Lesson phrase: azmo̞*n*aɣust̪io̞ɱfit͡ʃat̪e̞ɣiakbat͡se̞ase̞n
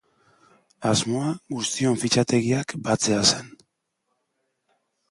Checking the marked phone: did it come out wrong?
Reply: yes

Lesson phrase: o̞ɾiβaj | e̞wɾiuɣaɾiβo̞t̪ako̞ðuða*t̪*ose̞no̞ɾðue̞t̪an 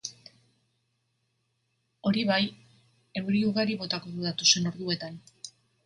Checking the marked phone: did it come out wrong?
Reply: no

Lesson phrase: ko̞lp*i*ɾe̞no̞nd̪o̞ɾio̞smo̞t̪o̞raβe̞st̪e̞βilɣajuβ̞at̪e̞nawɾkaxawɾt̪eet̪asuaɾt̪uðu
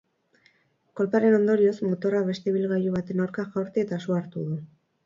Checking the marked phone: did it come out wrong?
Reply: yes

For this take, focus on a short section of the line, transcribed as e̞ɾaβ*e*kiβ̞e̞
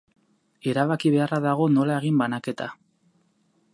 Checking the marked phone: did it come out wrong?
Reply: yes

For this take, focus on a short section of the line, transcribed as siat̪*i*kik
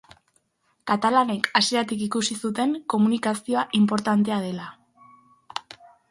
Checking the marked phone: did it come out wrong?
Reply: no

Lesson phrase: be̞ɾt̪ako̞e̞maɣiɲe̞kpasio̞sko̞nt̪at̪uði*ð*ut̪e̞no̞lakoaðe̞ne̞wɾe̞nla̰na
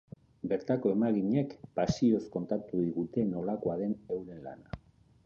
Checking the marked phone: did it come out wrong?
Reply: yes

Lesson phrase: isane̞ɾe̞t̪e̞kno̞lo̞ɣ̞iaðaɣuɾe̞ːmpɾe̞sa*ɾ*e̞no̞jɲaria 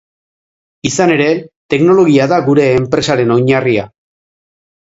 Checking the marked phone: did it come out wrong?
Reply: no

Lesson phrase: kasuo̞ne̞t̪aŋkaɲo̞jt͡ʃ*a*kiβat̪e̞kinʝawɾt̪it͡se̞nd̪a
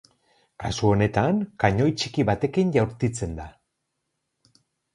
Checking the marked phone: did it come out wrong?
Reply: yes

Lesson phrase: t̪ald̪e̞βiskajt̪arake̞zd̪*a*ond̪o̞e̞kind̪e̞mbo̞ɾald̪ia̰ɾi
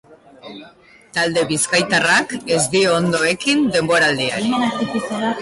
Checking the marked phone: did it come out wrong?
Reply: yes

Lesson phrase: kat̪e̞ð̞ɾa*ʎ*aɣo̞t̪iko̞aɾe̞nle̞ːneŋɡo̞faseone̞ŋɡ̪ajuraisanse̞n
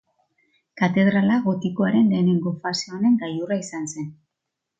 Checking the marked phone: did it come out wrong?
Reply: yes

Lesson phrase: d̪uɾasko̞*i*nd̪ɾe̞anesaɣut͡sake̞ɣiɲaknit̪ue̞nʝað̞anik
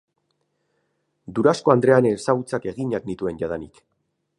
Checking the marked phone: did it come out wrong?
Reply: yes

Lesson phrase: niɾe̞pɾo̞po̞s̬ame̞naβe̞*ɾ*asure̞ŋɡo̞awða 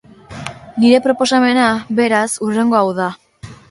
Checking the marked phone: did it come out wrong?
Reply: no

